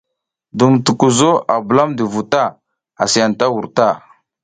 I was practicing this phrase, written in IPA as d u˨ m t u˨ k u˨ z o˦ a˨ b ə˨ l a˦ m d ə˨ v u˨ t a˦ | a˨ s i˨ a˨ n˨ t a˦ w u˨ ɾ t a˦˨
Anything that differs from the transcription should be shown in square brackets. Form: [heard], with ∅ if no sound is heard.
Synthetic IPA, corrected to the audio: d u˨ m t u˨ k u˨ z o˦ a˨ b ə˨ l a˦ m d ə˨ v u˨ t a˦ | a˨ s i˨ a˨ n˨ t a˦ w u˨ ɾ t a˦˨